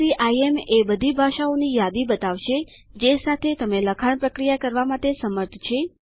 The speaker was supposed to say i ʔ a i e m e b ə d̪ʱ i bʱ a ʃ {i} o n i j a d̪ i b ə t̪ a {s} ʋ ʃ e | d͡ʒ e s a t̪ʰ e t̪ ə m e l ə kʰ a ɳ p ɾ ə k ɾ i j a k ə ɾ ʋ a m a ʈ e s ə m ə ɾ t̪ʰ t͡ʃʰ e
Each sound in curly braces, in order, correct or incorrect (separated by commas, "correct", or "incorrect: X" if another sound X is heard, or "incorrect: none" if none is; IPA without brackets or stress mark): incorrect: a, incorrect: none